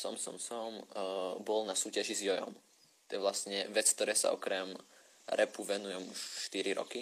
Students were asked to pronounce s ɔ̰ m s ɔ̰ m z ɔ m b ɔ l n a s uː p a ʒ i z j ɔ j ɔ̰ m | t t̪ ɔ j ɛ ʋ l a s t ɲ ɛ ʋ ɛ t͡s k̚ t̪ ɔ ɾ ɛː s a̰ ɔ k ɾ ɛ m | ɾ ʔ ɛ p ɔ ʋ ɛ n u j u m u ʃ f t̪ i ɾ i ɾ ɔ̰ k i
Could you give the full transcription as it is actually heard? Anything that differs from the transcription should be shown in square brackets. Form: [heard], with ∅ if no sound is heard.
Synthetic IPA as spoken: s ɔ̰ m s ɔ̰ m [s] ɔ m b ɔ l n a s uː [c] a ʒ i z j ɔ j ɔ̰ m | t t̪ ɔ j ɛ ʋ l a s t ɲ ɛ ʋ ɛ t͡s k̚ t̪ ɔ ɾ ɛː s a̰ ɔ k ɾ ɛ m | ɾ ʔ ɛ p [u] ʋ ɛ n u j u m u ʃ [ʃ] t̪ i ɾ i ɾ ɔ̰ k i